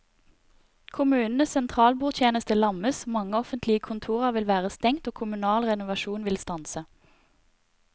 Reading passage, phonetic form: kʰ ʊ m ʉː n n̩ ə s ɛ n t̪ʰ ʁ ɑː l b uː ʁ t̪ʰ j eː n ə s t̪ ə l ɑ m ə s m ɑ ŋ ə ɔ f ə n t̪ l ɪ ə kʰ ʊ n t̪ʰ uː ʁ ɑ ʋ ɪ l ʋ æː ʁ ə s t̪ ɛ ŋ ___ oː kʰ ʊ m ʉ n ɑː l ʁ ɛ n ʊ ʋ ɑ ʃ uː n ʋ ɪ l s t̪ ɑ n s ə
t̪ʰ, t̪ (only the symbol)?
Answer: t̪